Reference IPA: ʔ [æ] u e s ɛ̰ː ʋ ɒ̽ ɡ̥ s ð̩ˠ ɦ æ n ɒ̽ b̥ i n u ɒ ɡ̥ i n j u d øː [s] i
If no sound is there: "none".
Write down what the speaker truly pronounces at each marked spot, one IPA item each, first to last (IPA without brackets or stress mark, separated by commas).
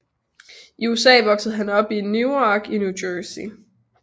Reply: i, s